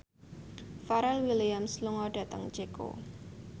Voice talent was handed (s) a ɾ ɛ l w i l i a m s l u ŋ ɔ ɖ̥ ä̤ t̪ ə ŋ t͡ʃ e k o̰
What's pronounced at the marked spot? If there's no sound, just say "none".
f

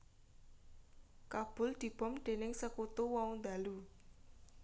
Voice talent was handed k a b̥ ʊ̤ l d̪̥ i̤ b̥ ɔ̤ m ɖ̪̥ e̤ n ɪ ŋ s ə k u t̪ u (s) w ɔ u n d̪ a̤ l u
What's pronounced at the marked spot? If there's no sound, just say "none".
none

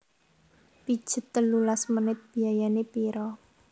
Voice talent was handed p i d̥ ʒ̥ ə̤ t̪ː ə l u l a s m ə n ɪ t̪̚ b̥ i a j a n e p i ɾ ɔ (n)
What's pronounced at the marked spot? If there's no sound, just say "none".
none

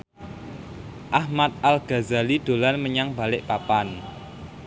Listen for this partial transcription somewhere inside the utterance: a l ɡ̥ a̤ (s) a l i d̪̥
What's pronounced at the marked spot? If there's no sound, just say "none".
z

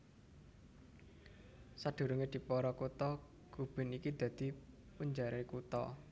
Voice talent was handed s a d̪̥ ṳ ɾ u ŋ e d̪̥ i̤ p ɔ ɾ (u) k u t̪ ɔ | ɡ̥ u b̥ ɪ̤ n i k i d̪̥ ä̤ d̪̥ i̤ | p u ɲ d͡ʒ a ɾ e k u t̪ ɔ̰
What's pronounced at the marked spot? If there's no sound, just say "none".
ɔ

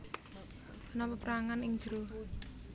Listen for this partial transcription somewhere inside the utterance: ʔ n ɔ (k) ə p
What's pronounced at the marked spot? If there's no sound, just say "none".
p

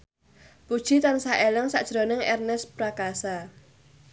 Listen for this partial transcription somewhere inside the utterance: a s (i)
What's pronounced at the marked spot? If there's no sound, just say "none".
a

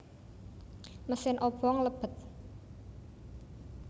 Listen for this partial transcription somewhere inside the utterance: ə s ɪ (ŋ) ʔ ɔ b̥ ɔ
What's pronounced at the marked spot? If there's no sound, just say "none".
n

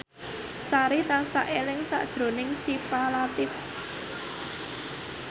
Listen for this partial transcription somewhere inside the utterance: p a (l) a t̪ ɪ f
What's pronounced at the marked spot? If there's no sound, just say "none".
l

